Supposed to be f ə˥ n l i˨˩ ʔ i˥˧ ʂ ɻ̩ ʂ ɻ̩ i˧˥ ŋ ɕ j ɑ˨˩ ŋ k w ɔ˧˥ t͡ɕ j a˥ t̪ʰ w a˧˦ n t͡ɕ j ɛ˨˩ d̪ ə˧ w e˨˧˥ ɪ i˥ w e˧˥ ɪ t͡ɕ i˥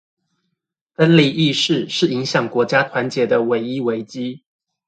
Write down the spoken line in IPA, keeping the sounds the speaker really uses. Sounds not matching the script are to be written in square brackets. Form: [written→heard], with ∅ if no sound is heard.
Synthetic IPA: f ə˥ n l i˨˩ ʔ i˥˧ ʂ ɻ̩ ʂ ɻ̩ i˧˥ ŋ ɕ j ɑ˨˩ ŋ k w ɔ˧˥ t͡ɕ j a˥ t̪ʰ w a˧˦ n t͡ɕ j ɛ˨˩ d̪ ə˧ w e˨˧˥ ɪ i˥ w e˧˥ ɪ t͡ɕ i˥

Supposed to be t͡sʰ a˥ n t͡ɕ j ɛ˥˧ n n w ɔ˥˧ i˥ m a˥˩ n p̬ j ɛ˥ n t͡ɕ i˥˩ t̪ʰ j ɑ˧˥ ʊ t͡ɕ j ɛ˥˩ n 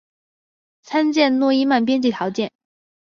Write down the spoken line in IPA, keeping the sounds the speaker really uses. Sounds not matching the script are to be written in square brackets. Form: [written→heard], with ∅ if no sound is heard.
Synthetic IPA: t͡sʰ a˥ n t͡ɕ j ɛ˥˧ n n w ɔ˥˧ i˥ m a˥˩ n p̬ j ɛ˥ n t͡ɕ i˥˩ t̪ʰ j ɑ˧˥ ʊ t͡ɕ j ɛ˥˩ n

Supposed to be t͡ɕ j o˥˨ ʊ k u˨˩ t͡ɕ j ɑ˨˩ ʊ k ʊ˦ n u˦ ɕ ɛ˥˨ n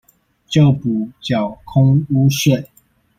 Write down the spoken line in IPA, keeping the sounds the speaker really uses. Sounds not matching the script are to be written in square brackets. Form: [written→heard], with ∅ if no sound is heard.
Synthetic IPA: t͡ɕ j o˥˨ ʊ [k→p] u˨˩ t͡ɕ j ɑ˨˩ ʊ [k→kʰ] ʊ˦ [n→ŋ] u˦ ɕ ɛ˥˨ n

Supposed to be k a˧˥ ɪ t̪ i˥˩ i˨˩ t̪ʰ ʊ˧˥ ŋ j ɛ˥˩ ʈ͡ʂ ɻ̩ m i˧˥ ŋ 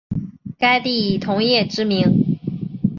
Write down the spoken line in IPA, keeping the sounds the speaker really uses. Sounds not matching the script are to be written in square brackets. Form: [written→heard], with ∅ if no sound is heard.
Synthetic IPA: k [a˧˥→a˥] ɪ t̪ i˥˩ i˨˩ t̪ʰ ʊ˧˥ ŋ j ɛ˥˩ ʈ͡ʂ ɻ̩ m i˧˥ ŋ

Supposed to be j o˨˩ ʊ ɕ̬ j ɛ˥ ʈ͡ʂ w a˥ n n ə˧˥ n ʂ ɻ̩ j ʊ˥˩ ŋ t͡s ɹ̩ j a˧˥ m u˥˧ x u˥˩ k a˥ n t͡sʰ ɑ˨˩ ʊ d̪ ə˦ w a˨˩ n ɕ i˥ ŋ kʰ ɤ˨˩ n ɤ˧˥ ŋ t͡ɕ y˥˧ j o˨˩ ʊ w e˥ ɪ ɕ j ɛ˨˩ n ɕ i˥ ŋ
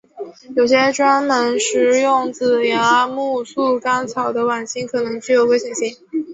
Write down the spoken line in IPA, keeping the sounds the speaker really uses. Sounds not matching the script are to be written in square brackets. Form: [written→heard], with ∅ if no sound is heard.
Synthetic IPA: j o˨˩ ʊ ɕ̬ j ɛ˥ ʈ͡ʂ w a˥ n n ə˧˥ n ʂ ɻ̩ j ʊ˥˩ ŋ t͡s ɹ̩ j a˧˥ m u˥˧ [x→s] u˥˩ k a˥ n t͡sʰ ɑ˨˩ ʊ d̪ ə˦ w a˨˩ n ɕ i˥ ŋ kʰ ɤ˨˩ n ɤ˧˥ ŋ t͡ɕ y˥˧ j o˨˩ ʊ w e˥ ɪ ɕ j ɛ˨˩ n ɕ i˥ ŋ

